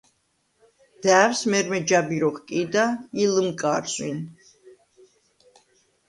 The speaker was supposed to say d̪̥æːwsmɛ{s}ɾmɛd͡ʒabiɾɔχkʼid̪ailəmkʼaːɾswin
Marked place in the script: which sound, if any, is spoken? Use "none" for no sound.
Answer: none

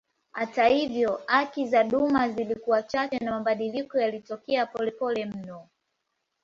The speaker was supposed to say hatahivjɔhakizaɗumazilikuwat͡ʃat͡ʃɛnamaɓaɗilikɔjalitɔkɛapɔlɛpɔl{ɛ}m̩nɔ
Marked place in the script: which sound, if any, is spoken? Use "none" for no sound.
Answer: ɛ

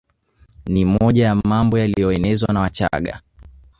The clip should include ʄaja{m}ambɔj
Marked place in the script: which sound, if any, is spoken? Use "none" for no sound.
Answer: m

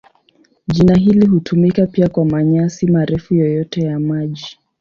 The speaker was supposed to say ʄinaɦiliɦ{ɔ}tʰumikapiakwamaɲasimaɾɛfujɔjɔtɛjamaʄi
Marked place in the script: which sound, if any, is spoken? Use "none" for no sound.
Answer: u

